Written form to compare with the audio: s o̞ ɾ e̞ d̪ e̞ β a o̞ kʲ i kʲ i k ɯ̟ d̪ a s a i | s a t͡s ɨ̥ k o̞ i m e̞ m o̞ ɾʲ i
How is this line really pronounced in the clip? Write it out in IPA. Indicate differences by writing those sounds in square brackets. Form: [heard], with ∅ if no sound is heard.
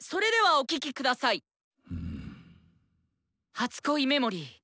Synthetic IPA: s o̞ ɾ e̞ d̪ e̞ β a o̞ kʲ i kʲ i k ɯ̟ d̪ a s a i | [h] a t͡s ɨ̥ k o̞ i m e̞ m o̞ ɾʲ i